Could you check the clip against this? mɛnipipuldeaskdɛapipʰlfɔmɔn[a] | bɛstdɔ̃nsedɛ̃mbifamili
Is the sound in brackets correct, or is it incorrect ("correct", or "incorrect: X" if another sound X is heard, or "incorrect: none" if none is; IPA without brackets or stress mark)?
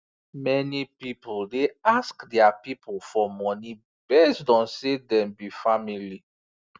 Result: incorrect: i